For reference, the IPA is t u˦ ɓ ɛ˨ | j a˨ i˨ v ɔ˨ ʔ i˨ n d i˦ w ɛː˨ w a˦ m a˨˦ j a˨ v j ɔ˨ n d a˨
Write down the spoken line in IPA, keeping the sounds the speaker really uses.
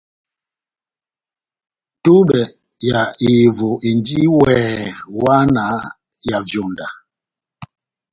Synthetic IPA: t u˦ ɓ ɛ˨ | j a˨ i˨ v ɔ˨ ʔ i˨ n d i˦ w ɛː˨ w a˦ n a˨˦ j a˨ v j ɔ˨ n d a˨